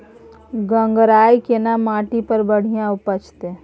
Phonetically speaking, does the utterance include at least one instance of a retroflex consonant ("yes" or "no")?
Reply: yes